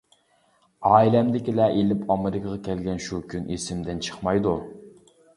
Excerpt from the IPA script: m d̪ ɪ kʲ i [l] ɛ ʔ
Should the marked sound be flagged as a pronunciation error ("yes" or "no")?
no